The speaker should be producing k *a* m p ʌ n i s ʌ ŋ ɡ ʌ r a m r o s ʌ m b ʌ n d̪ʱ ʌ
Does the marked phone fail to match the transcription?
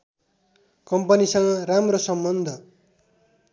yes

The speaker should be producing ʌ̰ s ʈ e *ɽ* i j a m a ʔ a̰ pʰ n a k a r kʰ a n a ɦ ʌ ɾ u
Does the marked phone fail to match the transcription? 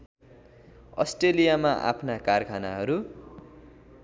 yes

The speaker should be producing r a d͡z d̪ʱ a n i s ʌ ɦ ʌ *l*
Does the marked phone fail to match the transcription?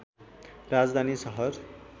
yes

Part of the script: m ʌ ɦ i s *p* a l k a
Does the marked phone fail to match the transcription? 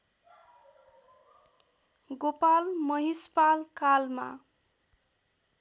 no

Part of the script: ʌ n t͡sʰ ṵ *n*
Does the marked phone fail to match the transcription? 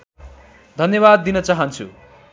yes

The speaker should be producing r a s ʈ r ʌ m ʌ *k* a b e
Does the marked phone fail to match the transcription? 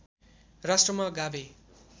yes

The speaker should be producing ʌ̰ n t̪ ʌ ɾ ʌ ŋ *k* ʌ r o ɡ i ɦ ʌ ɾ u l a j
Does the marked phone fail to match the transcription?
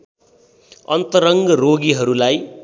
yes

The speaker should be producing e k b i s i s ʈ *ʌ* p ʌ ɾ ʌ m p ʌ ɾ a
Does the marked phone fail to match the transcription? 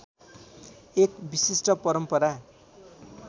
no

